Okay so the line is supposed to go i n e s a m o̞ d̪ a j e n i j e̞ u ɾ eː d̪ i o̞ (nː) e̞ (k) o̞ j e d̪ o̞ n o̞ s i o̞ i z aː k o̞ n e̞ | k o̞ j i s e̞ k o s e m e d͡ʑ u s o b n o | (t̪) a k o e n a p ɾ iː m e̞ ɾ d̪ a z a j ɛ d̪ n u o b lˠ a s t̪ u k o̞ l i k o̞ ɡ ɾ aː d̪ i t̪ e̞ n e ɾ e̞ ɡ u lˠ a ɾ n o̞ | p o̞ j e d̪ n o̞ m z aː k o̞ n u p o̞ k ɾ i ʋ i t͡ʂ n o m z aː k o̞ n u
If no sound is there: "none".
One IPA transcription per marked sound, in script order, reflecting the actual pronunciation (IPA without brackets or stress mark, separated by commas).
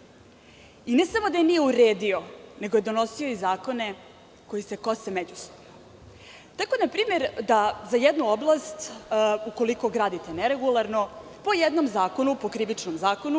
n, ɡ, t̪